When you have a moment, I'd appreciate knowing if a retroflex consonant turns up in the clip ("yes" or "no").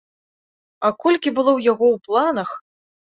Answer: no